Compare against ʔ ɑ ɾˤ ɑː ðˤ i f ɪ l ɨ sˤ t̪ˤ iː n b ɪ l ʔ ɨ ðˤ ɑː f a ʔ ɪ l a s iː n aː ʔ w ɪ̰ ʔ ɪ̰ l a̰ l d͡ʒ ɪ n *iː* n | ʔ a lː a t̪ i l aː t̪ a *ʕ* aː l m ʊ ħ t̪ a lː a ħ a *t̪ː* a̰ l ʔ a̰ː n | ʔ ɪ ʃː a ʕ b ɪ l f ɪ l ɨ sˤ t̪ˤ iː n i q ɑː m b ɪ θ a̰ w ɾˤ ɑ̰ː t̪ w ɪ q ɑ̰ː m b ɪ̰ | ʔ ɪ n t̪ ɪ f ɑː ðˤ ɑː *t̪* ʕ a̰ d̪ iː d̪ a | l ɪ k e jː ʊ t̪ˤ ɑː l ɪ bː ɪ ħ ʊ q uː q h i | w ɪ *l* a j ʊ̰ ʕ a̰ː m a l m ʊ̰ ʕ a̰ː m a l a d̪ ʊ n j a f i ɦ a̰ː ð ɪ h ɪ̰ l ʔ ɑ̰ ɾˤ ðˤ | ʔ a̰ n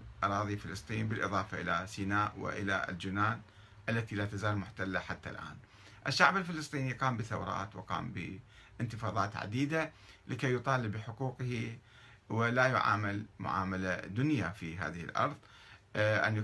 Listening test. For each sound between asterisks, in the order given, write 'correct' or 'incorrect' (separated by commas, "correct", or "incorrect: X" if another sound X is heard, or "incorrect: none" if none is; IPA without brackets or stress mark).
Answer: incorrect: aː, incorrect: z, correct, correct, correct